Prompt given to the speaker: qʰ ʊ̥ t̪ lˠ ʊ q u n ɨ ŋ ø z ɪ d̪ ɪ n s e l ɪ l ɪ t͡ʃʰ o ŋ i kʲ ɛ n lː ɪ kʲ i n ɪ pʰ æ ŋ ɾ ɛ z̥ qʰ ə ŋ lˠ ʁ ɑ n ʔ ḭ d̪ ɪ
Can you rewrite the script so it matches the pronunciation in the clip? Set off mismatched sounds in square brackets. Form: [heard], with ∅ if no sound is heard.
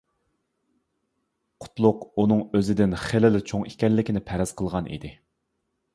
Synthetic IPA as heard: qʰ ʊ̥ t̪ lˠ ʊ q u n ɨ ŋ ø z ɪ d̪ ɪ n [χ] e l ɪ l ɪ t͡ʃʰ o ŋ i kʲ ɛ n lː ɪ kʲ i n ɪ pʰ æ [∅] ɾ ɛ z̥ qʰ ə [∅] lˠ ʁ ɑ n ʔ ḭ d̪ ɪ